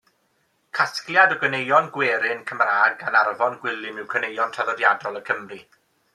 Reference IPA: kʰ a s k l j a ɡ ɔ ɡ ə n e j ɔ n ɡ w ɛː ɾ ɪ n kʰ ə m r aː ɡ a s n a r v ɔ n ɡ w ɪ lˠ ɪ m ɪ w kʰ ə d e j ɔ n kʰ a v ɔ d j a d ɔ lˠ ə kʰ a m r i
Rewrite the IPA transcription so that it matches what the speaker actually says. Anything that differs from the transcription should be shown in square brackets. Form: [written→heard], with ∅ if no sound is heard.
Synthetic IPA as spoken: kʰ a s k l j a [ɡ→d] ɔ ɡ ə n e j ɔ n ɡ w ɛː ɾ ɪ n kʰ ə m r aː ɡ a [s→∅] n a r v ɔ n ɡ w ɪ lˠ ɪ m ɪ w kʰ ə [d→n] e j ɔ n [kʰ→tʰ] a [v→ð] ɔ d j a d ɔ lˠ ə kʰ [a→ə] m r i